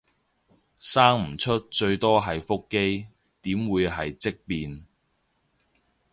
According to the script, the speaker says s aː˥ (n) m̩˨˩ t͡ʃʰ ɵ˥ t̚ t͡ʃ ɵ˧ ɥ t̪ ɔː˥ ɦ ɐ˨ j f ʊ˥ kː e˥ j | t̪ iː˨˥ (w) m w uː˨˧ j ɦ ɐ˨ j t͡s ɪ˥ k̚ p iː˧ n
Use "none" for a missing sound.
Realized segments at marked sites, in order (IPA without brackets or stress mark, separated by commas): ŋ, none